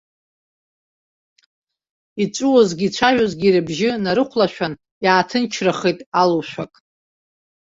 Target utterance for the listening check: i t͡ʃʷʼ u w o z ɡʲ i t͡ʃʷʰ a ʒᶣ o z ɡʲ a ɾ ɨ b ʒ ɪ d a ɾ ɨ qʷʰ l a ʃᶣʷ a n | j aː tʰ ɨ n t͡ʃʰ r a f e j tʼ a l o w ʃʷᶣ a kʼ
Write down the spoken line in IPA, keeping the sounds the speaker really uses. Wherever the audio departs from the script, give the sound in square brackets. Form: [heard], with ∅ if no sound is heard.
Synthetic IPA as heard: i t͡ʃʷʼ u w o z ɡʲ i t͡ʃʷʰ a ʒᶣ o z ɡʲ [i] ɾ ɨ b ʒ ɪ [n] a ɾ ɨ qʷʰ l a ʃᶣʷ a n | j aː tʰ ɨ n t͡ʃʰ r a [χ] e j tʼ a l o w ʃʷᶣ a kʼ